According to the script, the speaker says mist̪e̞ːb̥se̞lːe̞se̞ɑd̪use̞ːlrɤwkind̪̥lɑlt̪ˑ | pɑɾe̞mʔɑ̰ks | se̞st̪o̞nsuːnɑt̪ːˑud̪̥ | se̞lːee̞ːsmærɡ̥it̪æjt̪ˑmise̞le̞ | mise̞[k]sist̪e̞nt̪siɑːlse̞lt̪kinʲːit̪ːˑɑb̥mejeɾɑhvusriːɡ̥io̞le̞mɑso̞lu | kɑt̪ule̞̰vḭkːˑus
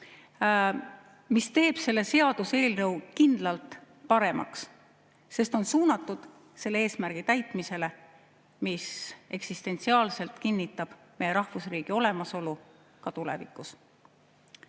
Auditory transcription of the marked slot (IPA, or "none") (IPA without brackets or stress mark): k